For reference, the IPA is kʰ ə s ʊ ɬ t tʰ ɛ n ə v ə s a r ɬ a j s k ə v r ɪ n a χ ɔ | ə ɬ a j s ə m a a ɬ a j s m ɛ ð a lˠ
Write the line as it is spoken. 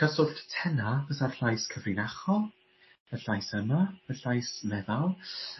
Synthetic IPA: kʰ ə s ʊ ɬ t tʰ ɛ n a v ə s a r ɬ a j s kʰ ə v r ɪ n a χ ɔ | ə ɬ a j s ə m a ə ɬ a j s m ɛ ð a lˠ